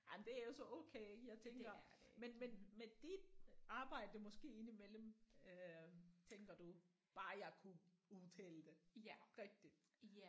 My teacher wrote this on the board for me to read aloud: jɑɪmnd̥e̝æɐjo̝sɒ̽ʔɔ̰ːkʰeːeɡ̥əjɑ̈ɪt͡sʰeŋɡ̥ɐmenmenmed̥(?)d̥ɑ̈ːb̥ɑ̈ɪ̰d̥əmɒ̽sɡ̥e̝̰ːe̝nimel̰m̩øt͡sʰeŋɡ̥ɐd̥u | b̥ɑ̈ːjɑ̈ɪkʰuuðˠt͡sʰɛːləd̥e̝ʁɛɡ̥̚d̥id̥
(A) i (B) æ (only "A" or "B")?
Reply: A